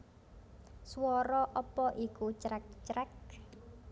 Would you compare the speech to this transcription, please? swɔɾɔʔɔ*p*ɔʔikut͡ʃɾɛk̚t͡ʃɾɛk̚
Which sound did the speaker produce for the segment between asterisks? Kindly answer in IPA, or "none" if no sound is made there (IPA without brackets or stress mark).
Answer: p